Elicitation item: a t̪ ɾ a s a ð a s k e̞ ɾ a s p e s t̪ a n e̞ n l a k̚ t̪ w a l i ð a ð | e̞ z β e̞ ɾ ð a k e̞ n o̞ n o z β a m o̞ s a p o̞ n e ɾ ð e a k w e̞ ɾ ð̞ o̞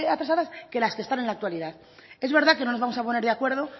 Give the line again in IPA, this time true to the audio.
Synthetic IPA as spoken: a t̪ ɾ a s a ð a s k e̞ l a s k e s t̪ a n e̞ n l a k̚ t̪ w a l i ð a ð | e̞ z β e̞ ɾ ð a k e̞ n o̞ n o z β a m o̞ s a p o̞ n e ɾ ð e a k w e̞ ɾ ð̞ o̞